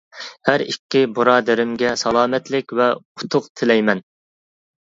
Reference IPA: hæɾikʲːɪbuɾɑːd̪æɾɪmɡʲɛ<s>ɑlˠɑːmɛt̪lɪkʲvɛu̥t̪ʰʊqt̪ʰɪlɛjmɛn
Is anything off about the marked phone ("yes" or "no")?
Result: no